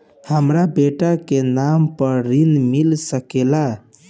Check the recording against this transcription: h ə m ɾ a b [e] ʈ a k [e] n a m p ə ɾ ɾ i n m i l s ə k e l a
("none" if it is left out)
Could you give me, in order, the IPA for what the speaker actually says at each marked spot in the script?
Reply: e, e

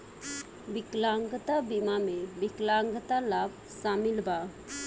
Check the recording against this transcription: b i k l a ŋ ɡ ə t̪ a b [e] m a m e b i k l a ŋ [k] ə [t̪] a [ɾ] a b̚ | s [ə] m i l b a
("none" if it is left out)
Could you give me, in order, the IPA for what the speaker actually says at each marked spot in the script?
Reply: i, ɡ, t̪, l, a

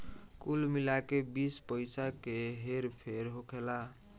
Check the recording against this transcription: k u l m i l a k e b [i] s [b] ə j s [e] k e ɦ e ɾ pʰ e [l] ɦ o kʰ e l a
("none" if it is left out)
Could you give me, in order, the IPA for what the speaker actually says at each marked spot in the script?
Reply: i, p, a, ɾ

